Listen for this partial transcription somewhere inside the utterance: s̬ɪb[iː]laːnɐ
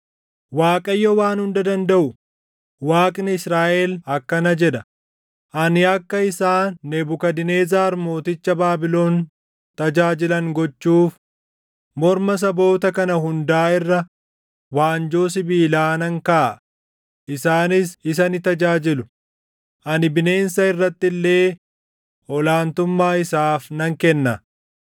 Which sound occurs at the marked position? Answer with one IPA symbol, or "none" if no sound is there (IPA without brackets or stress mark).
iː